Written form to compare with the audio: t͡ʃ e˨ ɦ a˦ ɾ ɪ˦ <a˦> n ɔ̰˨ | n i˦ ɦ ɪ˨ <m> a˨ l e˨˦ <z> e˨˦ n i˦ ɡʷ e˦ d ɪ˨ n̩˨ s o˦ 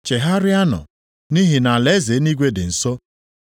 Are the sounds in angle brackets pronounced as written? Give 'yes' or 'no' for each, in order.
yes, no, yes

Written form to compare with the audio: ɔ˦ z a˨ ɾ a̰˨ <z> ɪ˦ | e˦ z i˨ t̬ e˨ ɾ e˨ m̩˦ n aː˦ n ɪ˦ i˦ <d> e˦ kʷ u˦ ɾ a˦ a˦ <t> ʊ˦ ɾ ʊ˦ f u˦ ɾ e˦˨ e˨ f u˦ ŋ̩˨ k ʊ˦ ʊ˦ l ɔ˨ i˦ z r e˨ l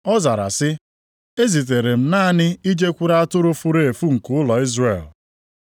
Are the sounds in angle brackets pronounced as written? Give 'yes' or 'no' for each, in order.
no, no, yes

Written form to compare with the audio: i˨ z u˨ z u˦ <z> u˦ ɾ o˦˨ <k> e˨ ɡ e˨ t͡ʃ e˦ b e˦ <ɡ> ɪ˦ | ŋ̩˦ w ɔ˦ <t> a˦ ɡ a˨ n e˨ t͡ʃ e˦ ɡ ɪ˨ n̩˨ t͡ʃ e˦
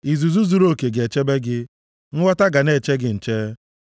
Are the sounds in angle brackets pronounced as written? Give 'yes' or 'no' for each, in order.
yes, yes, yes, yes

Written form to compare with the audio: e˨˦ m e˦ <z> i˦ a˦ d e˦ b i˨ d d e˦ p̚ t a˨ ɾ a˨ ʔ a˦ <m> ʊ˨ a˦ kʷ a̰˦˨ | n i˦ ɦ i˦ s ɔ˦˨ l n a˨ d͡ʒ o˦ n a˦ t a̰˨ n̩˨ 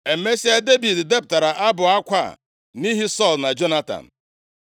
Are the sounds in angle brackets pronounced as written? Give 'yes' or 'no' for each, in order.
no, no

